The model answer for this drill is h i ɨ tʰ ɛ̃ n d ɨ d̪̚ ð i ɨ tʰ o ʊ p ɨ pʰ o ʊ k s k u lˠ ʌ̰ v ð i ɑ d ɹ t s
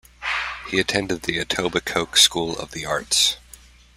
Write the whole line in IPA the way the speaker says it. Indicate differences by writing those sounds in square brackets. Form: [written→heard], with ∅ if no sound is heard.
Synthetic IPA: h i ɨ tʰ ɛ̃ n d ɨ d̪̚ ð i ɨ tʰ o ʊ [p→b] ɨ [pʰ→kʰ] o ʊ k s k u lˠ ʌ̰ v ð i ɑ [d→∅] ɹ t s